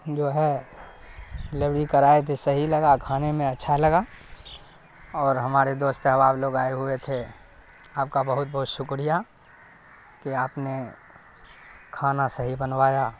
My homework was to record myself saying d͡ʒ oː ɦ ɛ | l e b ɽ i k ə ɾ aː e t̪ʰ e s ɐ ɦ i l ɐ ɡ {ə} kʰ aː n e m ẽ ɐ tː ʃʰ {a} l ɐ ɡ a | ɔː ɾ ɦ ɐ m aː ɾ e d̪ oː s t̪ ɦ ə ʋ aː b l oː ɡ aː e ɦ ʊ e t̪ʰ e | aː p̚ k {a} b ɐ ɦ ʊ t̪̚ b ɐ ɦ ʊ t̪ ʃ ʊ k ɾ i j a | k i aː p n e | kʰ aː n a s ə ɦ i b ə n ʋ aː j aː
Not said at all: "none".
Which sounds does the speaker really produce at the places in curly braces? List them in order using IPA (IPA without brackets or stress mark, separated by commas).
a, a, a